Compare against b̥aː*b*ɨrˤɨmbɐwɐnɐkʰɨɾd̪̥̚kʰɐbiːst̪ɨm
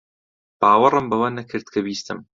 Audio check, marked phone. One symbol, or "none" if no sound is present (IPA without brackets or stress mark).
w